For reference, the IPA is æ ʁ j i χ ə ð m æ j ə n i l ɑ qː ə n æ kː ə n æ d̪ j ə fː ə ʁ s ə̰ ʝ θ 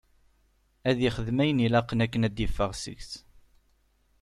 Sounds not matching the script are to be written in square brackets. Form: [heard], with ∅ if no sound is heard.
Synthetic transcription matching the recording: æ [ð] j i χ ə ð m æ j ə n i l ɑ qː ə n æ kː ə n æ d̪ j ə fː ə ʁ s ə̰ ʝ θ